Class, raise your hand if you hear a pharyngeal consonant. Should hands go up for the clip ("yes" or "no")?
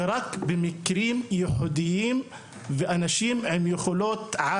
yes